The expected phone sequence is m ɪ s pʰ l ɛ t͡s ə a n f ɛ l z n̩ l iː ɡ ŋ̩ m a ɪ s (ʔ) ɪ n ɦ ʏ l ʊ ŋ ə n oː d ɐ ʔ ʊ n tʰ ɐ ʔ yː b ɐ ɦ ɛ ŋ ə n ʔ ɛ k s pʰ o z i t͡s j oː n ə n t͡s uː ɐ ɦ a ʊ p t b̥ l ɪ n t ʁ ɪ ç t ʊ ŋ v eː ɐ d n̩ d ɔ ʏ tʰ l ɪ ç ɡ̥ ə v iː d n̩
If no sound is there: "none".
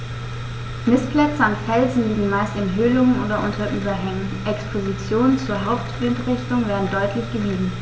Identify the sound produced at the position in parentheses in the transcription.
t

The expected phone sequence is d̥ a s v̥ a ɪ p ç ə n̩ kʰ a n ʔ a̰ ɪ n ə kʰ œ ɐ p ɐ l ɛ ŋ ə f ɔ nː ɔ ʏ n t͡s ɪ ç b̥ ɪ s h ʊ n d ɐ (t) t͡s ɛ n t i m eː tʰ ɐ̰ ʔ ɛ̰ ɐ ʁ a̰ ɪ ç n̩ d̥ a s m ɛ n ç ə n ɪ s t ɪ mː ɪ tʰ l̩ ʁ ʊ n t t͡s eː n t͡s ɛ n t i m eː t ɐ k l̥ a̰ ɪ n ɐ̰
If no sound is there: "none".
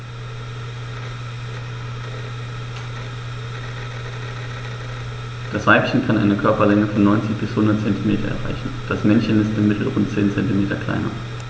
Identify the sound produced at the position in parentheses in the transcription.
t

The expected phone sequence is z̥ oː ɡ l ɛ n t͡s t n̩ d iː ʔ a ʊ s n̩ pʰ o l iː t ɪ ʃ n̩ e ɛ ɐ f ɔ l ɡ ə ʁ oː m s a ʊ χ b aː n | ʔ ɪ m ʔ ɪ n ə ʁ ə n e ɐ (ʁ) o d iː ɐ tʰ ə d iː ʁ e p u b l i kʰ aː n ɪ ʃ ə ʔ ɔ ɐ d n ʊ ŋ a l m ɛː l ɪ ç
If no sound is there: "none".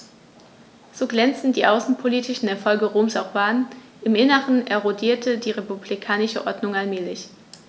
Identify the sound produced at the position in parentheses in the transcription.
ʁ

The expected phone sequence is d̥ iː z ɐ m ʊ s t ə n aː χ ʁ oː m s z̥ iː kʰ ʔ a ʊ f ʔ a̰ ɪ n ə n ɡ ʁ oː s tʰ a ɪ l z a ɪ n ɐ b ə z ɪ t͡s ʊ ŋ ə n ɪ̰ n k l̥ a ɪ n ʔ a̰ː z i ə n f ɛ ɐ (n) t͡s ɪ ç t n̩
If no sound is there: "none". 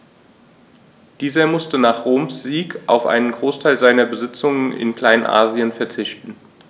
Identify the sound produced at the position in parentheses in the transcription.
none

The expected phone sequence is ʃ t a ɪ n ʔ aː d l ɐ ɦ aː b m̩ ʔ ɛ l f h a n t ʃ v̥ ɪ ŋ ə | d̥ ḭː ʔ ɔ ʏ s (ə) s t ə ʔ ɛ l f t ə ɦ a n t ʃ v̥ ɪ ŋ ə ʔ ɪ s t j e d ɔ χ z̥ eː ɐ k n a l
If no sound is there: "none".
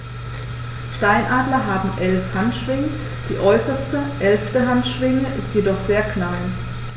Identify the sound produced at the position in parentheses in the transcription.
ɐ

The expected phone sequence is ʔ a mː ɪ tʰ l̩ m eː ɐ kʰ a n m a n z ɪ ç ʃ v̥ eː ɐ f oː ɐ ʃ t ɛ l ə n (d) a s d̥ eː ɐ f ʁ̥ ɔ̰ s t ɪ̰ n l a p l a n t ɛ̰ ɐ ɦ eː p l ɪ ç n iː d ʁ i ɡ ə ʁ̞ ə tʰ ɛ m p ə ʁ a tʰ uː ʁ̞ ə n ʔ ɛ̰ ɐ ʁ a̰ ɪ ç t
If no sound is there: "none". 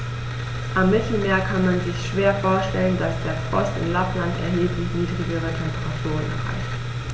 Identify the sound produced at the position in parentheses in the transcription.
d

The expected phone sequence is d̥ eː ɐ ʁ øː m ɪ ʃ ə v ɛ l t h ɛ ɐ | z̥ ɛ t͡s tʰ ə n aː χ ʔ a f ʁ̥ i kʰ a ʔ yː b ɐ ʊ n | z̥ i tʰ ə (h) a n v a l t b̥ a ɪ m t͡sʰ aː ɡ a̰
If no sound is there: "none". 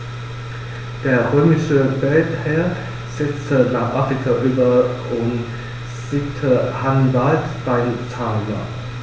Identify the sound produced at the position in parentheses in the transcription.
h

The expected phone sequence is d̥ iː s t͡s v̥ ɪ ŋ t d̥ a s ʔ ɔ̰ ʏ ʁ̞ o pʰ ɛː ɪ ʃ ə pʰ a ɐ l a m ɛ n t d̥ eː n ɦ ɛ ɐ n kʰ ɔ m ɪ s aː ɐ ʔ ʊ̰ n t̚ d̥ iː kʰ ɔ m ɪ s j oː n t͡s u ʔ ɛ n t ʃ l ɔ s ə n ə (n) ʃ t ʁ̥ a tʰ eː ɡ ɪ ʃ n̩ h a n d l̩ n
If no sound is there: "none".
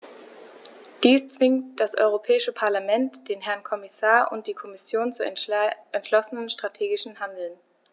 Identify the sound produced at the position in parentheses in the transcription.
n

